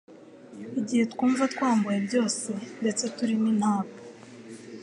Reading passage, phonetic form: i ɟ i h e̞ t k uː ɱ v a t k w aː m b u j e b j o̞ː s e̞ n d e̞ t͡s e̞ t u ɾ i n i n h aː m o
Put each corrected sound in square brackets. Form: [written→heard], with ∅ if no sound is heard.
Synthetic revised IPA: i ɟ i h e̞ t k uː ɱ v a t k w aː m b u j e b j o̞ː s e̞ n d e̞ t͡s e̞ t u ɾ i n i n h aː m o